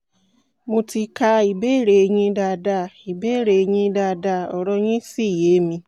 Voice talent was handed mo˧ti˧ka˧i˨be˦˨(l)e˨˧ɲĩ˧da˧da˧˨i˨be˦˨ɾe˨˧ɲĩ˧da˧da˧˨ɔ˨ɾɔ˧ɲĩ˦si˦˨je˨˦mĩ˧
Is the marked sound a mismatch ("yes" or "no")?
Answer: yes